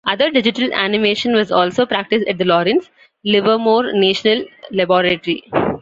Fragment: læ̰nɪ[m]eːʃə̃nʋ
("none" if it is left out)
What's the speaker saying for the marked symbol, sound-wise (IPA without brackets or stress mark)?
m